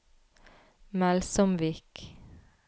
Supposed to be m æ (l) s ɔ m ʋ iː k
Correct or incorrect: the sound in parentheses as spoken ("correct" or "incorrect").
correct